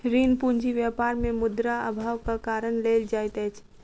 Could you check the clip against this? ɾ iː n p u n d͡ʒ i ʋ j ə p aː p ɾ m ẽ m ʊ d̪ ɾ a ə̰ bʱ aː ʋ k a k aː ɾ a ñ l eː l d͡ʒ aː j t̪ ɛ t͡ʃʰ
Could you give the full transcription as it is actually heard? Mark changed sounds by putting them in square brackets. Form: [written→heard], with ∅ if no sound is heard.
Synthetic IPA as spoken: ɾ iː n p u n d͡ʒ i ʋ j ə p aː [p→∅] ɾ m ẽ m ʊ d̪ ɾ a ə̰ bʱ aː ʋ k a k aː ɾ [a→ə] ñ l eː l d͡ʒ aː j t̪ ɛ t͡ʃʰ